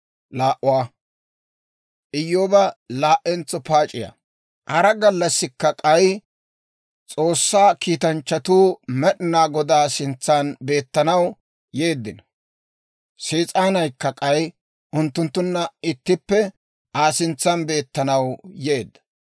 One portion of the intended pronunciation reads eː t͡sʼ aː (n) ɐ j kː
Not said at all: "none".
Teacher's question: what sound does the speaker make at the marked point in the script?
n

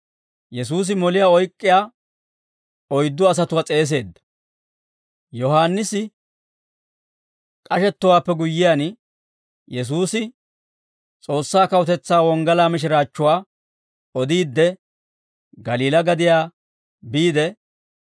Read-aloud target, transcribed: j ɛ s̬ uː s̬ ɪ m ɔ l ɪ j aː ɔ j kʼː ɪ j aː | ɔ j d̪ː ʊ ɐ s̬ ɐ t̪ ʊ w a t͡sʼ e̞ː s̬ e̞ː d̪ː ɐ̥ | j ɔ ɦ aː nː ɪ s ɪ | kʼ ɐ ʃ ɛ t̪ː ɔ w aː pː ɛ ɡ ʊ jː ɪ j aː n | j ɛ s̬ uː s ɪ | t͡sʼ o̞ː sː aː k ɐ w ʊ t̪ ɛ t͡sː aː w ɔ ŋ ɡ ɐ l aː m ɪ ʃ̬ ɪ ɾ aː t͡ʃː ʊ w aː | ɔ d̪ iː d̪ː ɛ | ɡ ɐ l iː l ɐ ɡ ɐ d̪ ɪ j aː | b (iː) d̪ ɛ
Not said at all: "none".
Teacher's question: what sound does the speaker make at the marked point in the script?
iː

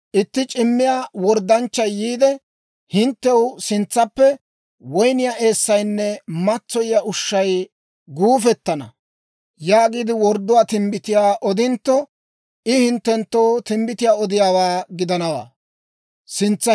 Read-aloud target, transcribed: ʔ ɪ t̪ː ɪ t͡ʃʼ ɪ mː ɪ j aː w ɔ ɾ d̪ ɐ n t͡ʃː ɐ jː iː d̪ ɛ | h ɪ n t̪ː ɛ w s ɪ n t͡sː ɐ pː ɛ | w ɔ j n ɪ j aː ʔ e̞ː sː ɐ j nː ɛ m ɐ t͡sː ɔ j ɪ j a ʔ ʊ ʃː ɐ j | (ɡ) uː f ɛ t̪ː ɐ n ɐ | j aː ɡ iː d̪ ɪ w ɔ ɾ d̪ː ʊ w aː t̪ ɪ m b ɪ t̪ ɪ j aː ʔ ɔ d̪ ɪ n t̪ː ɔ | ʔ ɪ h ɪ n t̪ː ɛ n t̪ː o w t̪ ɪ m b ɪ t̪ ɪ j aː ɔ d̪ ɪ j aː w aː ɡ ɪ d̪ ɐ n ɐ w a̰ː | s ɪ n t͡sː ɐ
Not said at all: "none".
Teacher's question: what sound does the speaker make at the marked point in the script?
ɡ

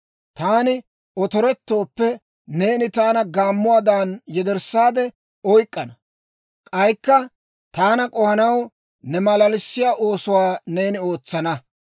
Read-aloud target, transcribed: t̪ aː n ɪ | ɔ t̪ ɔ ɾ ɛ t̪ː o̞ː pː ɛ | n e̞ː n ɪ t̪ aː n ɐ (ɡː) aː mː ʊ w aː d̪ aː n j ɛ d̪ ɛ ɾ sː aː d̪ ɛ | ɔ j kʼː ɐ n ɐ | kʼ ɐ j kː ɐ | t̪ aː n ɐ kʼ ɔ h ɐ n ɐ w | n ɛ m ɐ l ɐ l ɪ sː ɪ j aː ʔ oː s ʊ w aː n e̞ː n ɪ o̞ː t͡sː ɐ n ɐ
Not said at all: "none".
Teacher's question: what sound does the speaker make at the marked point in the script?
ɡ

